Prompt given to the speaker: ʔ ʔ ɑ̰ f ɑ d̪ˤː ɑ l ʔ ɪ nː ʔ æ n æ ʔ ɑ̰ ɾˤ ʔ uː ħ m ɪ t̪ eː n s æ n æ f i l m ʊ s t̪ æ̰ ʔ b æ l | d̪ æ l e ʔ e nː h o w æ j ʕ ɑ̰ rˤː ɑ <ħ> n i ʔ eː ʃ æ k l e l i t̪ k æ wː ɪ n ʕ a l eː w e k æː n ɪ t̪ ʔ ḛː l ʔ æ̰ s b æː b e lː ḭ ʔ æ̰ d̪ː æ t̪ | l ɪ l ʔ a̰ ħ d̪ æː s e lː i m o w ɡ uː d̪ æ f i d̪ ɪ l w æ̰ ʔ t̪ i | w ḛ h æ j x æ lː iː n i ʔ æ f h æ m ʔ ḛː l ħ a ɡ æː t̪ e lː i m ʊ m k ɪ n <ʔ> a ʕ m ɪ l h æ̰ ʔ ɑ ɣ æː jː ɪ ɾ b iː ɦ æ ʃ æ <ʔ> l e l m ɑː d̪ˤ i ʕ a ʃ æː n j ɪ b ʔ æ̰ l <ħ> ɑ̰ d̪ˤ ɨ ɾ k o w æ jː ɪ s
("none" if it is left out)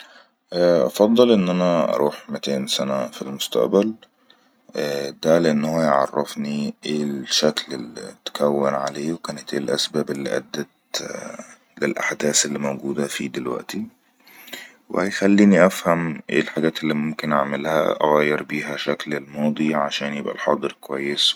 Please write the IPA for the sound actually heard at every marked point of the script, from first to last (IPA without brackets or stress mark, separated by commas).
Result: f, ʔ, k, ħ